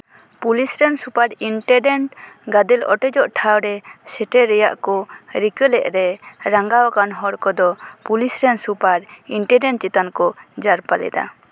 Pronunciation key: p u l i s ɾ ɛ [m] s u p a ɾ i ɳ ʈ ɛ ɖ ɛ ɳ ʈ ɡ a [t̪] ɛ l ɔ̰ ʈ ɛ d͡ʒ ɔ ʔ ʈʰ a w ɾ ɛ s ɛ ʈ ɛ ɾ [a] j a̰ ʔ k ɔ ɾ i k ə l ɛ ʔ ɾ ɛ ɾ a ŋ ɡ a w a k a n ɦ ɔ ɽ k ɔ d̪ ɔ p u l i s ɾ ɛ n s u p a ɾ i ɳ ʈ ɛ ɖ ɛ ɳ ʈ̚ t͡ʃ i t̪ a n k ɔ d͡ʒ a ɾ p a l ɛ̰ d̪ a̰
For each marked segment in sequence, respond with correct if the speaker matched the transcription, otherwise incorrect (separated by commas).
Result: incorrect, incorrect, incorrect